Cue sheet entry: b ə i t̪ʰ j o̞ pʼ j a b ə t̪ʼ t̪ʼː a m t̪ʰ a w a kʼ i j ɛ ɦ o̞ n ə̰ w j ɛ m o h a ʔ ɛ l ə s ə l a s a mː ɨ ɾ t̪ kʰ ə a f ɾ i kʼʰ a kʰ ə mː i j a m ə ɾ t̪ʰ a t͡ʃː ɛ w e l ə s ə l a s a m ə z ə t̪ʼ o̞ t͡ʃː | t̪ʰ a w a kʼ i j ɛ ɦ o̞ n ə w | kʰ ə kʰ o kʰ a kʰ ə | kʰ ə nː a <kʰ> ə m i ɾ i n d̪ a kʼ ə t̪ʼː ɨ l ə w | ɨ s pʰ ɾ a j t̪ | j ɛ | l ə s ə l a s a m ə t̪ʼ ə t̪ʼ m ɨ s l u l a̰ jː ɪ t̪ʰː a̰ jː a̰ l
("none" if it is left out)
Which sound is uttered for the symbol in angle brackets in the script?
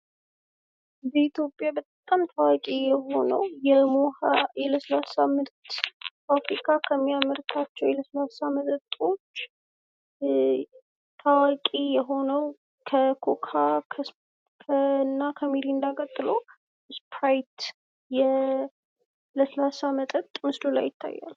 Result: kʰ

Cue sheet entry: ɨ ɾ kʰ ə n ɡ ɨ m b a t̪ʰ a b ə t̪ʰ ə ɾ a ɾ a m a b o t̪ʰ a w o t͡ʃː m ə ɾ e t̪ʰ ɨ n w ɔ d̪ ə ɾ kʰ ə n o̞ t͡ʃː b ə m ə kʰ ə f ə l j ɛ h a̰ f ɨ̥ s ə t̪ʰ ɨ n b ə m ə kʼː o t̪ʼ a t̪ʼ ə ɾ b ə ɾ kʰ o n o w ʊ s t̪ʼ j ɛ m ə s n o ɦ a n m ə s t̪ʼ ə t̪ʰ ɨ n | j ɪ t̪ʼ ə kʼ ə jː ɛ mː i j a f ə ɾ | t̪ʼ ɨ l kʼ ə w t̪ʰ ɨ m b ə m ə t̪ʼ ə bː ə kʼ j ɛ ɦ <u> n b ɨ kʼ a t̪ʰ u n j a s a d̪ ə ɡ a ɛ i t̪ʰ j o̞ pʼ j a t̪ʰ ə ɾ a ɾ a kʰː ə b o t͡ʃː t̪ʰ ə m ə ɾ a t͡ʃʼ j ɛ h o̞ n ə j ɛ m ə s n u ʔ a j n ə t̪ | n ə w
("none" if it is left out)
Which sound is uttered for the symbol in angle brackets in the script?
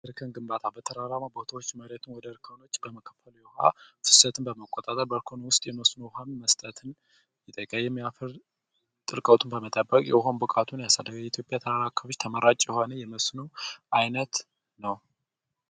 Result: o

